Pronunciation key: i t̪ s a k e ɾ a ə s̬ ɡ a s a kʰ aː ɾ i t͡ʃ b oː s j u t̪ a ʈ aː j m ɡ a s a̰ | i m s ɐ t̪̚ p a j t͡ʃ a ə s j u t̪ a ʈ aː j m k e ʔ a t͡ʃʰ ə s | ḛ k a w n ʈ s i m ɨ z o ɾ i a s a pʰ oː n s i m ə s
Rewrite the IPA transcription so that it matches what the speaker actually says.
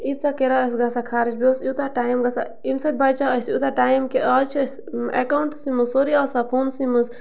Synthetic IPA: i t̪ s a k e ɾ a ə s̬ ɡ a s a kʰ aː ɾ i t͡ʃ b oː s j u t̪ a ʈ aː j m ɡ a s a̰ | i m s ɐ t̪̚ b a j t͡ʃ a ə s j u t̪ a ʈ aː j m k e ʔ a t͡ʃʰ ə s | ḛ k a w ɳ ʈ s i m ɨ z o ɾ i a s a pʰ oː n s i m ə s

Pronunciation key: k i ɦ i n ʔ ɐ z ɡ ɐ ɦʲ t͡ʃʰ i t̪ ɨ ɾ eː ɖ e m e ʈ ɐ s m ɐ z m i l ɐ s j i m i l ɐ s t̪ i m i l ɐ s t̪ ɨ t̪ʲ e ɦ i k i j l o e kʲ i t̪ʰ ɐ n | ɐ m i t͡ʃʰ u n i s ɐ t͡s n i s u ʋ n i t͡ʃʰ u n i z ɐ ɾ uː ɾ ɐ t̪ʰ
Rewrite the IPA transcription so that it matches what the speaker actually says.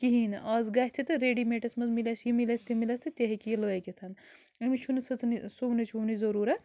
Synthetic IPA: k i ɦ i n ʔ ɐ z ɡ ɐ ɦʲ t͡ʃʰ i t̪ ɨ ɾ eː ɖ i m e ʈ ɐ s m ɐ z m i l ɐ s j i m i l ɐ s t̪ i m i l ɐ s t̪ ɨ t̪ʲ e ɦ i k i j l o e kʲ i t̪ʰ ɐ n | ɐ m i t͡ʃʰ u n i s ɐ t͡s n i s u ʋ n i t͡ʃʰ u n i z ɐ ɾ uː ɾ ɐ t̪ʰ

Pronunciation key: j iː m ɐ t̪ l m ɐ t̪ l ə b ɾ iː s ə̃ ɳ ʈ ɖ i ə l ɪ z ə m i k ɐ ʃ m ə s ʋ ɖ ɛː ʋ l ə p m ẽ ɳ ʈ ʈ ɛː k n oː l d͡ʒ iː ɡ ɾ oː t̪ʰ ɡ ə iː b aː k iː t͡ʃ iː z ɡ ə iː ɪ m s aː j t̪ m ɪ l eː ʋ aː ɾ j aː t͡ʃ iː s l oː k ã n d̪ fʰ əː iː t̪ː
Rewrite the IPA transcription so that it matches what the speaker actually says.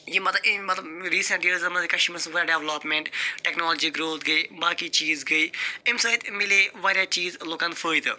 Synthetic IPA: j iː m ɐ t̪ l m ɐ t̪ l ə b ɾ iː s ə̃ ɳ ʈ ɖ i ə l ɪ z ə m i k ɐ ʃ m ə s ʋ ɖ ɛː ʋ l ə p m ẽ ɳ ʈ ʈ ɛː k n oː l d͡ʒ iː ɡ ɾ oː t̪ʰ ɡ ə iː b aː k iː t͡ʃ iː z ɡ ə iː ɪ m s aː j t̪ m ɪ l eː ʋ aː ɾ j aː t͡ʃ iː z l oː k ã n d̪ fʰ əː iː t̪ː

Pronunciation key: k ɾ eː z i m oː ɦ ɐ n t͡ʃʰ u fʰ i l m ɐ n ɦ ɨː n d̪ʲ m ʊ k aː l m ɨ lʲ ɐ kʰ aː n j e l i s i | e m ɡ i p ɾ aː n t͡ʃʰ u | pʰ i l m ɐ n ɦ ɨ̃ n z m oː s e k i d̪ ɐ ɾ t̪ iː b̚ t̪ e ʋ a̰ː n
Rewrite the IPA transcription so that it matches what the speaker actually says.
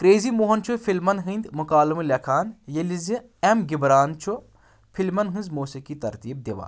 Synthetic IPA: k ɾ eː z i m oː ɦ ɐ n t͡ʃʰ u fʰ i l m ɐ n ɦ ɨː n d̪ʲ m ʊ k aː l m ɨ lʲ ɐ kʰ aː n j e l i z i | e m ɡ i b ɾ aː n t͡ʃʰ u | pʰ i l m ɐ n ɦ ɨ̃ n z m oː s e k i t̪ ɐ ɾ t̪ iː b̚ d̪ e ʋ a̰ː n

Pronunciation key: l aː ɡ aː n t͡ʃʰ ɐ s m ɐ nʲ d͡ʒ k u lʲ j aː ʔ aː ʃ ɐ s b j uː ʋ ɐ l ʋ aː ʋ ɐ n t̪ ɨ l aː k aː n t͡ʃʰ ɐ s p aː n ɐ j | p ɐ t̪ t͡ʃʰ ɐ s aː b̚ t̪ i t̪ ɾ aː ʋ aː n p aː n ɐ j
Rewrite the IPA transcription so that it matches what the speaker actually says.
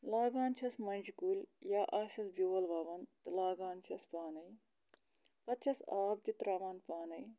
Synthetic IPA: l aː ɡ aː n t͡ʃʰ ɐ s m ɐ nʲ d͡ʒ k u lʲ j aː ʔ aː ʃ ɐ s b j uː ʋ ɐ l ʋ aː ʋ ɐ n t̪ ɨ l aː ɡ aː n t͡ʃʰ ɐ s p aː n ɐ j | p ɐ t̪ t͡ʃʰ ɐ s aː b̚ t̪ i t̪ ɾ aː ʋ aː n p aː n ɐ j

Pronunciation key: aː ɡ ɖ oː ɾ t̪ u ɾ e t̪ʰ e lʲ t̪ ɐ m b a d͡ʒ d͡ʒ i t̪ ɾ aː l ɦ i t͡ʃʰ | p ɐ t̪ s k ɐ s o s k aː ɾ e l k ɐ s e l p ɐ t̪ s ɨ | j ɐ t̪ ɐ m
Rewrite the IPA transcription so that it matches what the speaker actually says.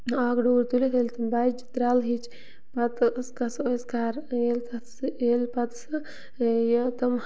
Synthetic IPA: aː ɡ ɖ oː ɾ t̪ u l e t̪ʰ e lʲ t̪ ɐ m b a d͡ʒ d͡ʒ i t̪ ɾ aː l ɦ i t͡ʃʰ | p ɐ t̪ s k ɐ s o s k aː ɾ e l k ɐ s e l p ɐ t̪ s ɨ | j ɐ t̪ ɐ m

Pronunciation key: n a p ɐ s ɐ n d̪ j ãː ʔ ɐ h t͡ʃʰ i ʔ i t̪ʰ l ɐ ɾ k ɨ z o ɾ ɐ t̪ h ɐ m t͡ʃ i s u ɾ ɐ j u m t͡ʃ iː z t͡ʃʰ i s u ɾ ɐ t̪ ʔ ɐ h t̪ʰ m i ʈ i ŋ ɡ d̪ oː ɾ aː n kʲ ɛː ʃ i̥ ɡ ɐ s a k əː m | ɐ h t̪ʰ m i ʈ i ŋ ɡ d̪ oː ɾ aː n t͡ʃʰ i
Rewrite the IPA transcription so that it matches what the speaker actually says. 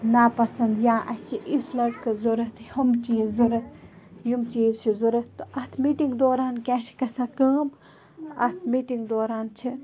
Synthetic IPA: n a p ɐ s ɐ n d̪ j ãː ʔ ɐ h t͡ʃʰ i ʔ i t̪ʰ l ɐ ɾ k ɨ z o ɾ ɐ t̪ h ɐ m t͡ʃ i z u ɾ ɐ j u m t͡ʃ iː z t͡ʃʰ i z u ɾ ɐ t̪ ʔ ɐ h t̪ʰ m i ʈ i ŋ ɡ d̪ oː ɾ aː n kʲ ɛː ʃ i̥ k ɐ s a k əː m | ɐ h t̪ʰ m i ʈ i ŋ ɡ d̪ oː ɾ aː n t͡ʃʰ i

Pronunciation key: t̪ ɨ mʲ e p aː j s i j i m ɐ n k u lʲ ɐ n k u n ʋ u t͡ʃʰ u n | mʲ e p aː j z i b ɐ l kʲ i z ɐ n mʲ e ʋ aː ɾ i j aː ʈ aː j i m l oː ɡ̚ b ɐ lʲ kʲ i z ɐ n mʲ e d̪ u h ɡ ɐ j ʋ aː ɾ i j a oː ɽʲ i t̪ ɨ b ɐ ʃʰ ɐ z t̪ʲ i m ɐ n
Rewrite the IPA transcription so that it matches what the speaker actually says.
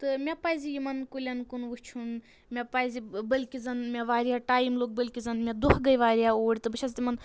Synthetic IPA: t̪ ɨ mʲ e p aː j z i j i m ɐ n k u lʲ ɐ n k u n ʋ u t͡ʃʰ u n | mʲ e p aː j z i b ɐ l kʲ i z ɐ n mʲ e ʋ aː ɾ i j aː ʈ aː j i m l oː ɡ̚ b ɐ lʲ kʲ i z ɐ n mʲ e d̪ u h ɡ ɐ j ʋ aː ɾ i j a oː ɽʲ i t̪ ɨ b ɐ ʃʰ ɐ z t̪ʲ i m ɐ n

